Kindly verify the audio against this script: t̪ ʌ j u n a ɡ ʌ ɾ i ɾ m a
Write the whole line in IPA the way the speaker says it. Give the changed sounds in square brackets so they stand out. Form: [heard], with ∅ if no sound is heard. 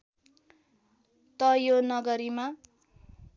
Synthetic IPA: t̪ ʌ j [o] n [ʌ] ɡ ʌ ɾ i [∅] m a